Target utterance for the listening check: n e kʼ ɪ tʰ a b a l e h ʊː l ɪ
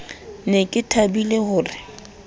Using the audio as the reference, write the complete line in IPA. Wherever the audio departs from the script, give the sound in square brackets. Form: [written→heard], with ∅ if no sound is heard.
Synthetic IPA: n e kʼ ɪ tʰ a b [a→i] l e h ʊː [l→r] ɪ